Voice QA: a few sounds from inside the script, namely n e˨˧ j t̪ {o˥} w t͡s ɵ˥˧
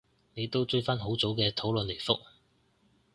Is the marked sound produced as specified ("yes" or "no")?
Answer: yes